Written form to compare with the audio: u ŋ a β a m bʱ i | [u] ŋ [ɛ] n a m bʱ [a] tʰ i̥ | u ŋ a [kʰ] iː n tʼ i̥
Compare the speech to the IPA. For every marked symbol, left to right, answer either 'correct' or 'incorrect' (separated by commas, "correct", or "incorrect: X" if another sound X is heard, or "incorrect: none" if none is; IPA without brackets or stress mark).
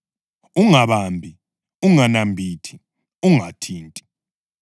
correct, incorrect: a, incorrect: i, incorrect: tʰ